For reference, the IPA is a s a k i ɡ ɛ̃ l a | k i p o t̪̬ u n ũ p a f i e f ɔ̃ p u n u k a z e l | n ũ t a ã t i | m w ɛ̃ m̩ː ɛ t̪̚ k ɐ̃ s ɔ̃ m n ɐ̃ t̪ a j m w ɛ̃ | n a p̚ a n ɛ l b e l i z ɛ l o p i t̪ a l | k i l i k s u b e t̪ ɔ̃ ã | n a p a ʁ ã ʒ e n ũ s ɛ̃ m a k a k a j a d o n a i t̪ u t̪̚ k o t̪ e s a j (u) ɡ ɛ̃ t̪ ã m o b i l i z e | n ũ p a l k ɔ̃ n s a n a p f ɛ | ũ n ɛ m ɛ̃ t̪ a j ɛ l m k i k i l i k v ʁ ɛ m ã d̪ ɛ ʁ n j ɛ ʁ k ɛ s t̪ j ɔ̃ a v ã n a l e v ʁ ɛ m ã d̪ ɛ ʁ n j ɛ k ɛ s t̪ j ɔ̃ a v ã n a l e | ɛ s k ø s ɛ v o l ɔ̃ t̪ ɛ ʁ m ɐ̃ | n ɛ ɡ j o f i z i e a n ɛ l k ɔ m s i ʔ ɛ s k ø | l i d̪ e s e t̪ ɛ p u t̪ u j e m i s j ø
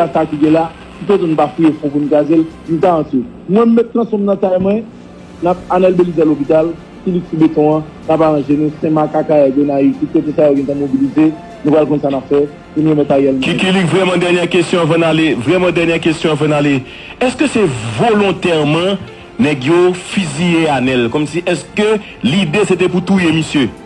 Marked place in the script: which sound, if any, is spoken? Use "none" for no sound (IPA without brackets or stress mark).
o